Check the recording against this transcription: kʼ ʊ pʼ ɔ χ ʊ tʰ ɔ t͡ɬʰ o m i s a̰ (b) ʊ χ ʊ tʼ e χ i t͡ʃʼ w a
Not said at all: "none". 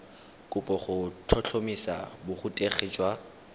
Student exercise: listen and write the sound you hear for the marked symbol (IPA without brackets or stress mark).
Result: b